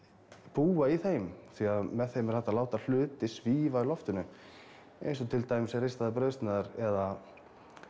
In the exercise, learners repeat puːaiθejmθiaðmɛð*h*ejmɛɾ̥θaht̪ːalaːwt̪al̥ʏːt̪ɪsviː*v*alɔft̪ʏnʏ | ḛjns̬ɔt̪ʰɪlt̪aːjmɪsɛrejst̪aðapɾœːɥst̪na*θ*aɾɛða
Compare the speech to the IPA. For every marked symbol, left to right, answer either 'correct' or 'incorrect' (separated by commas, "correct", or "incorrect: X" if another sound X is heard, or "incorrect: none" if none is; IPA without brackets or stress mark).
incorrect: θ, correct, incorrect: ð